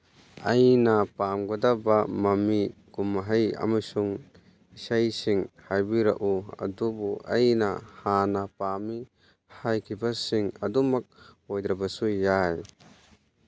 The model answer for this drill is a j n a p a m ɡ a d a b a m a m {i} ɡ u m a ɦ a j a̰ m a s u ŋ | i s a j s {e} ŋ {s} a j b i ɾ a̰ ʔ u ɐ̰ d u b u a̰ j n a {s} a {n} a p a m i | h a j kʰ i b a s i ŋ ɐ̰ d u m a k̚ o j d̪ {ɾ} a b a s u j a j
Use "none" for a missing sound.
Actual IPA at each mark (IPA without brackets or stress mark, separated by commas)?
i, i, h, h, n, ɾ